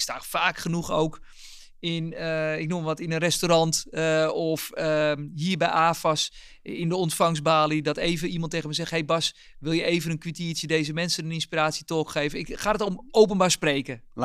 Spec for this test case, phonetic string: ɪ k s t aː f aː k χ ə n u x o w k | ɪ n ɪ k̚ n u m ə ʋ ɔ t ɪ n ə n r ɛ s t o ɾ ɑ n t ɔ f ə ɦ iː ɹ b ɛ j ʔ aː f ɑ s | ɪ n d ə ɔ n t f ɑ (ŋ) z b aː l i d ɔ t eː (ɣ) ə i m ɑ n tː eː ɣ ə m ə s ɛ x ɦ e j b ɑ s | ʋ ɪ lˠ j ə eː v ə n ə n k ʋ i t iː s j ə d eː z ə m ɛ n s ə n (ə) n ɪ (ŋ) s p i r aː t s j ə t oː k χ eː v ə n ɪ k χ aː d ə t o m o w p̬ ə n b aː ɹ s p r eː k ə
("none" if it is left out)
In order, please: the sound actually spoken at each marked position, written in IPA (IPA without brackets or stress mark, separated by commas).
ŋ, v, ə, n